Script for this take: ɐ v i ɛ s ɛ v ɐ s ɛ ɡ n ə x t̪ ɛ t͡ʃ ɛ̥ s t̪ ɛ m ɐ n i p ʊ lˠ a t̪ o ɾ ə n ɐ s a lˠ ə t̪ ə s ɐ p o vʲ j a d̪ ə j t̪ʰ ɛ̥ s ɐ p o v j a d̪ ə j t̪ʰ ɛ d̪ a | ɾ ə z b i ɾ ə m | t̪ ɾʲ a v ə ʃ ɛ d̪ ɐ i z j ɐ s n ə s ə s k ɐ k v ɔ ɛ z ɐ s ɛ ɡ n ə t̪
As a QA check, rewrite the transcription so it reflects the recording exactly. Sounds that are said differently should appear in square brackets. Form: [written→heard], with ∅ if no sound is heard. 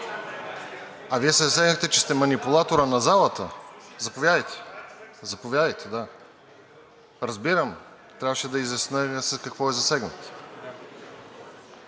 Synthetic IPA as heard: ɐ v i ɛ s ɛ [v→z] ɐ s ɛ ɡ n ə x t̪ ɛ t͡ʃ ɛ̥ s t̪ ɛ m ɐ n i p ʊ lˠ a t̪ o ɾ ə n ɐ [s→z] a lˠ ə t̪ ə [s→z] ɐ p o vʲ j a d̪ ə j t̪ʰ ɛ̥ [s→z] ɐ p o v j a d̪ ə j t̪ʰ ɛ d̪ a | ɾ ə z b i ɾ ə m | t̪ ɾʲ a v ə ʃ ɛ d̪ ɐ i z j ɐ s n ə s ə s k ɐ k v ɔ ɛ z ɐ s ɛ ɡ n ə t̪